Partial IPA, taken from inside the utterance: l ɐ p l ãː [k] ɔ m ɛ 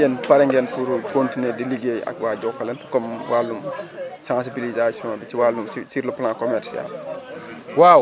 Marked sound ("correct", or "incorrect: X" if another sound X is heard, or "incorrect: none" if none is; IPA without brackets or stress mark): correct